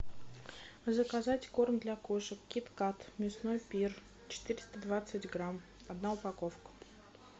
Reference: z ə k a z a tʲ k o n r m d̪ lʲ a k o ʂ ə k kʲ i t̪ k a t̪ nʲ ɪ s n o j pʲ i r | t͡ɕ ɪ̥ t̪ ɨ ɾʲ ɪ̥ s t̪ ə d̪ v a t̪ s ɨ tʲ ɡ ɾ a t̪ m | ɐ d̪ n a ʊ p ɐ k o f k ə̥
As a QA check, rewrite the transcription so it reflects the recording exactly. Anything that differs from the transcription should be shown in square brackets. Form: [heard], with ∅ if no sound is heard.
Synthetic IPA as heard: z ə k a z a tʲ k o [∅] r m d̪ lʲ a k o ʂ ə k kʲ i t̪ k a t̪ [mʲ] ɪ s n o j pʲ i r | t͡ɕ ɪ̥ t̪ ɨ ɾʲ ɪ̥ s t̪ ə d̪ v a t̪ s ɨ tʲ ɡ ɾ a [∅] m | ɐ d̪ n a ʊ p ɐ k o f k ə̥